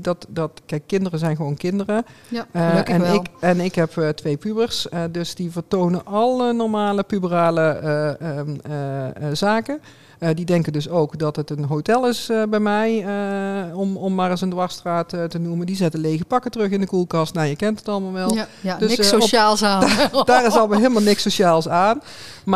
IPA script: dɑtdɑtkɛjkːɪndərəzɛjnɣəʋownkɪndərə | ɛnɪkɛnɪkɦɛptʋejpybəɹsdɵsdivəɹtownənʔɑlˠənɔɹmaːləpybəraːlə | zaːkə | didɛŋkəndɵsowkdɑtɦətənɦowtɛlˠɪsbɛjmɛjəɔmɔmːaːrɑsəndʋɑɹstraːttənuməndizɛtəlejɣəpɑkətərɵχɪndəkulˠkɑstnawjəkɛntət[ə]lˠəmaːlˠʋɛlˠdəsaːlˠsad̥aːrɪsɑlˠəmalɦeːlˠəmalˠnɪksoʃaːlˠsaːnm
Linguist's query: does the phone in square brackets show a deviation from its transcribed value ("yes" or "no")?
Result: yes